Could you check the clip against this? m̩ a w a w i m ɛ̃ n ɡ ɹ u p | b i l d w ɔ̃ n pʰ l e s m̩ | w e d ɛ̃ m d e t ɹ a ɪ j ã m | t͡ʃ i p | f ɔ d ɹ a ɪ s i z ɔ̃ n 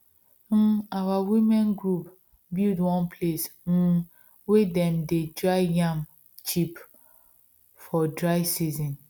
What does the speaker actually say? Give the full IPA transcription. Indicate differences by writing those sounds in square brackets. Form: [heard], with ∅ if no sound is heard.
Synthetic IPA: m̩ a w a w i m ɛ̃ n ɡ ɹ u p | b i l d w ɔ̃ n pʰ l e s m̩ | w e d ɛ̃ m d e [d] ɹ a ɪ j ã m | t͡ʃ i p | f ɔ d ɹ a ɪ s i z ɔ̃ n